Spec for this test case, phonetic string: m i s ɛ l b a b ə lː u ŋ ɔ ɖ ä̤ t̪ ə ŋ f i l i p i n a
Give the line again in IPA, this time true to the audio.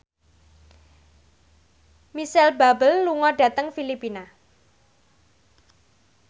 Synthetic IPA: m i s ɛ l b a b ə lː u ŋ ɔ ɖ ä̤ t̪ ə ŋ f i l i p i n a

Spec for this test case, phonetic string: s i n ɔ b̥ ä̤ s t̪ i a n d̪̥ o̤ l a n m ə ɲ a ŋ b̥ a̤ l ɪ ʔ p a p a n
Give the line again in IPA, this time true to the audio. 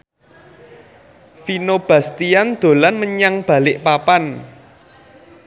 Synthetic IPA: f i n o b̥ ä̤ s t̪ i a n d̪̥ o̤ l a n m ə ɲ a ŋ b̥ a̤ l ɪ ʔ p a p a n

